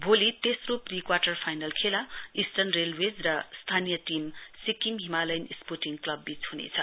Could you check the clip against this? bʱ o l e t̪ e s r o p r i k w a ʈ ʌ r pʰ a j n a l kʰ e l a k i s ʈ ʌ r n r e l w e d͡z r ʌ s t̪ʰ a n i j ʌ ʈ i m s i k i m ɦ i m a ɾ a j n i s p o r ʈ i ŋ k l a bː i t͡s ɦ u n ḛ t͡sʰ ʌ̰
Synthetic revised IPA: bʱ o l i t̪ e s r o p r i k w a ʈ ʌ r pʰ a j n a l kʰ e l a i s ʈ ʌ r n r e l w e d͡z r ʌ s t̪ʰ a n i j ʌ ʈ i m s i k i m ɦ i m a l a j n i s p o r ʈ i ŋ k l ʌ bː i t͡s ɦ u n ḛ t͡sʰ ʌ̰

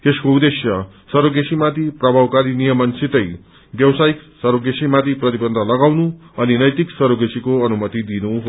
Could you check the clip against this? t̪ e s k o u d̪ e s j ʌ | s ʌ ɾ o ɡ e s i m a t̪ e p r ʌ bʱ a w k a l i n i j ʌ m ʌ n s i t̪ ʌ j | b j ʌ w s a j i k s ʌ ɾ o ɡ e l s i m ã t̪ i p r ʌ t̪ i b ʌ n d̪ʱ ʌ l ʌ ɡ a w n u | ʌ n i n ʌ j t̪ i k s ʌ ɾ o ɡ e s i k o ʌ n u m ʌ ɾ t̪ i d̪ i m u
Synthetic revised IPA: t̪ e s k o u d̪ e s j ʌ | s ʌ ɾ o ɡ e s i m a t̪ i p r ʌ bʱ a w k a ɾ i n i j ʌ m ʌ n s i t̪ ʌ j | b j ʌ w s a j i k s ʌ ɾ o ɡ e s i m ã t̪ i p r ʌ t̪ i b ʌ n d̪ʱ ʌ l ʌ ɡ a w n u | ʌ n i n ʌ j t̪ i k s ʌ ɾ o ɡ e s i k o ʌ n u m ʌ t̪ i d̪ i n u

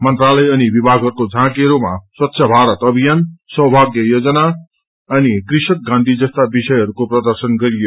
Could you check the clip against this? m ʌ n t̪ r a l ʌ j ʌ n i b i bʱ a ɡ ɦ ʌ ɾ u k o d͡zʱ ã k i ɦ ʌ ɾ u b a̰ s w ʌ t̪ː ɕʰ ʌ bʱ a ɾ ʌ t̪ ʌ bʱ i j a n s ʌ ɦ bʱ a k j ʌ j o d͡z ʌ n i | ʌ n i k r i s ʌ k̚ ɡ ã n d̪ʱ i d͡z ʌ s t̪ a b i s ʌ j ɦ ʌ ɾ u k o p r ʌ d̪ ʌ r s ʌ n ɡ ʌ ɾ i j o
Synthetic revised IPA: m ʌ n t̪ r a l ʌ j ʌ n i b i bʱ a ɡ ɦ ʌ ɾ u k o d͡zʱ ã k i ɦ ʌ ɾ u m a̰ s w ʌ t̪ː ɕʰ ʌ bʱ a ɾ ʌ t̪ ʌ bʱ i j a n s ʌ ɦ bʱ a ɡ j ʌ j o d͡z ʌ n a | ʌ n i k r i s ʌ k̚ ɡ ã n d̪ʱ i d͡z ʌ s t̪ a b i s ʌ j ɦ ʌ ɾ u k o p r ʌ d̪ ʌ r s ʌ n ɡ ʌ ɾ i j o

